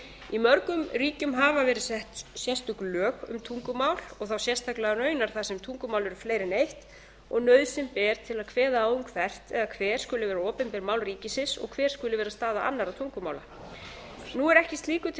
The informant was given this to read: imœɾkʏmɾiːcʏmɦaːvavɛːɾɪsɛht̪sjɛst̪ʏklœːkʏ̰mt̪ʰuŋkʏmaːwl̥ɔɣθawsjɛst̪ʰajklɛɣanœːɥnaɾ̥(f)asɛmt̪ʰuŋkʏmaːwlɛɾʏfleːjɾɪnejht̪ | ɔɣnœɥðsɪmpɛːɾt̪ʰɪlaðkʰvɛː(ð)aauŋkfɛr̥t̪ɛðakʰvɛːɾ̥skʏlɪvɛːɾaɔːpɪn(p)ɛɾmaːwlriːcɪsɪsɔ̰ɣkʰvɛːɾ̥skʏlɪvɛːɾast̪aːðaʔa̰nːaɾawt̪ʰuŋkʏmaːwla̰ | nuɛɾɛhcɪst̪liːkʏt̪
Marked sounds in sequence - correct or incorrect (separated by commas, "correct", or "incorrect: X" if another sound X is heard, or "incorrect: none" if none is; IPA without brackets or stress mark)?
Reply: incorrect: θ, correct, correct